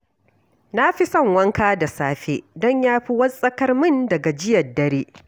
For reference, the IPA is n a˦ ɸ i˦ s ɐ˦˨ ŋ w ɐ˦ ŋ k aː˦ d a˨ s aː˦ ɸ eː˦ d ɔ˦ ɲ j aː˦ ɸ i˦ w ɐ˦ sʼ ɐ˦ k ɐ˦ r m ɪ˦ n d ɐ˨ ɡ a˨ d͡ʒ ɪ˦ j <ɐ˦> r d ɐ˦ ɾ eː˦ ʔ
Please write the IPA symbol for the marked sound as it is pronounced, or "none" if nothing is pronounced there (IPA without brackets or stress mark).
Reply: ɐ˨